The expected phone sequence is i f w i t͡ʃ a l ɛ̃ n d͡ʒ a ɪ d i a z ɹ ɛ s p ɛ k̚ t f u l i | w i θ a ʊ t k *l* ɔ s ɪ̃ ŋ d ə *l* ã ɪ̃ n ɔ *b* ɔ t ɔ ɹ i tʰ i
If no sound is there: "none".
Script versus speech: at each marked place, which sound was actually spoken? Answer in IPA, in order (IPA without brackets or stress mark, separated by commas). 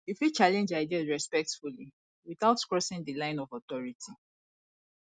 ɹ, l, v